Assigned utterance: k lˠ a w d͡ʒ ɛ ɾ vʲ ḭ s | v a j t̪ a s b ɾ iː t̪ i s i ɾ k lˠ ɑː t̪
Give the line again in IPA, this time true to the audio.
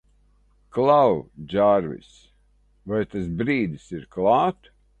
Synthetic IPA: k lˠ a w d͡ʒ a ɾ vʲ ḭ s | v a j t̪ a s b ɾ iː d̪ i s i ɾ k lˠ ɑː t̪

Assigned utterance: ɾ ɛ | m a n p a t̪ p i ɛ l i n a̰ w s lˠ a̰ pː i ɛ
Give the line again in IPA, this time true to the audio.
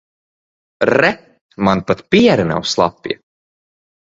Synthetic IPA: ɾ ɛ | m a n p a t̪ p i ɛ ɾ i n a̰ w s lˠ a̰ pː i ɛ

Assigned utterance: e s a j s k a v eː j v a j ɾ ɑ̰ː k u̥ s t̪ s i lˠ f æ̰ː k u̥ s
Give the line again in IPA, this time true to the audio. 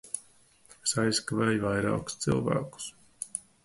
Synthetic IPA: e s a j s k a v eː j v a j ɾ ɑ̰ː k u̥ s t̪ s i lˠ v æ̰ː k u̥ s

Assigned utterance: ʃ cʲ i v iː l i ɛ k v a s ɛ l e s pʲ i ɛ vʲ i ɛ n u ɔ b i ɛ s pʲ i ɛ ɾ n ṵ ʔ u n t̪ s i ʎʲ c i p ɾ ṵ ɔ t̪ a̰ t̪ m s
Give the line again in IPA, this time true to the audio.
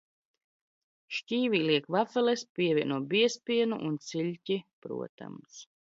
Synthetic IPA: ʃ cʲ iː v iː l i ɛ k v a f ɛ l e s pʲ i ɛ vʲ i ɛ n u ɔ b i ɛ s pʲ i ɛ n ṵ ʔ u n t̪ s i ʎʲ c i p ɾ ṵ ɔ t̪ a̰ m s

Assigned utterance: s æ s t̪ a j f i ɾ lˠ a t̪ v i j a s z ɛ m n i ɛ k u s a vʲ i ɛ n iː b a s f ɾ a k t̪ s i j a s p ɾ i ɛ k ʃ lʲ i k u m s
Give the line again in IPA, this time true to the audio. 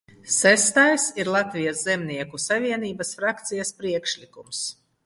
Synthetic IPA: s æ s t̪ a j s i ɾ lˠ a t̪ v i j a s z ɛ m n i ɛ k u s a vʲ i ɛ n iː b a s f ɾ a k t̪ s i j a s p ɾ i ɛ k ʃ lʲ i k u m s

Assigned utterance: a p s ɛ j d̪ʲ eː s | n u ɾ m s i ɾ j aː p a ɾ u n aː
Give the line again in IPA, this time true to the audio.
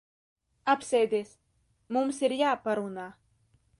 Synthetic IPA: a p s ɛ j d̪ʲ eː s | m u m s i ɾ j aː p a ɾ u n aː

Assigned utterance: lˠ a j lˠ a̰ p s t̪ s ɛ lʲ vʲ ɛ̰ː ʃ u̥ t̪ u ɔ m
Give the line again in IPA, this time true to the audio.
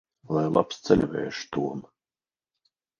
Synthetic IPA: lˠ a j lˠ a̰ p s t̪ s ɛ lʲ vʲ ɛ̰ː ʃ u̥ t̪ u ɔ m

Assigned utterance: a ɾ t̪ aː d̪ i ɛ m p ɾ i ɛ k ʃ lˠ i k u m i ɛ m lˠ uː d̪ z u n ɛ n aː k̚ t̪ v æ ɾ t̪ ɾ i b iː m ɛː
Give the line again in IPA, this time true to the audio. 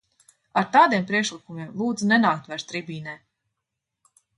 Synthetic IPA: a ɾ t̪ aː d̪ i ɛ m p ɾ i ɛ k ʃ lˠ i k u m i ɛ m lˠ uː d̪ z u n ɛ n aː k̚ t̪ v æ ɾ t̪ ɾ i b iː n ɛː

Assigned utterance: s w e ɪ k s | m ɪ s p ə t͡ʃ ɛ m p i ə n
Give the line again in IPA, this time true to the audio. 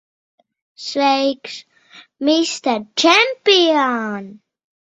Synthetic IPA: s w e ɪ k s | m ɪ s t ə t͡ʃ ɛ m p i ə n

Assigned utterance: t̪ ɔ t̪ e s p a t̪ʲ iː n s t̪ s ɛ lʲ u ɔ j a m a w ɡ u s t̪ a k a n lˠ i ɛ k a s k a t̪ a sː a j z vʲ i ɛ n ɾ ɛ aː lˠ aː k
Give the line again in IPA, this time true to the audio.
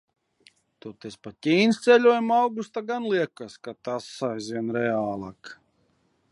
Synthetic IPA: t̪ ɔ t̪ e s p a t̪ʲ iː n s t̪ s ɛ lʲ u ɔ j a m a w ɡ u s t̪ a ɡ a n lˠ i ɛ k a s k a t̪ a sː a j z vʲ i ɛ n ɾ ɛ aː lˠ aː k

